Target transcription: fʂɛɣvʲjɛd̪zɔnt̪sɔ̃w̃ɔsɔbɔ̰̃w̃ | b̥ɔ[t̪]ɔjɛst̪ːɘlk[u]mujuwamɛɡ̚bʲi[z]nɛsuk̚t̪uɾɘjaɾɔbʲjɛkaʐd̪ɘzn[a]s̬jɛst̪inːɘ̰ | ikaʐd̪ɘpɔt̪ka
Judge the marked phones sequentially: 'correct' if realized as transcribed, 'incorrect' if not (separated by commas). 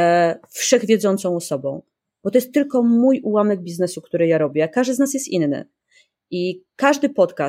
correct, incorrect, correct, correct